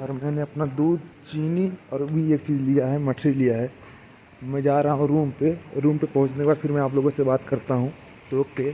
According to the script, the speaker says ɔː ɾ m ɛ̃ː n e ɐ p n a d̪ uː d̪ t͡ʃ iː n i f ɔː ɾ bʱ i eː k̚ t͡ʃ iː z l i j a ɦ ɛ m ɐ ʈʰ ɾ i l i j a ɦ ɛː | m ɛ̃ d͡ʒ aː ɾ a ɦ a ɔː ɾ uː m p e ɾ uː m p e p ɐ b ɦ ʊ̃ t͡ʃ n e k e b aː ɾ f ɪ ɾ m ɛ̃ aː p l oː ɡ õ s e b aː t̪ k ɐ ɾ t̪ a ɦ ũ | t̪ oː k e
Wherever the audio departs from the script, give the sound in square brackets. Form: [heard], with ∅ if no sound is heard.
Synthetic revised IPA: ɔː ɾ m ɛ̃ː n e ɐ p n a d̪ uː d̪ t͡ʃ iː n i [∅] ɔː ɾ bʱ i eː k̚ t͡ʃ iː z l i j a ɦ ɛ m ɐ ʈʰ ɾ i l i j a ɦ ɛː | m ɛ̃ d͡ʒ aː ɾ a ɦ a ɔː ɾ uː m p e ɾ uː m p e p ɐ [∅] ɦ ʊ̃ t͡ʃ n e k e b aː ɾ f ɪ ɾ m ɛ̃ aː p l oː ɡ õ s e b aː t̪ k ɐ ɾ t̪ a ɦ ũ | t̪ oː k e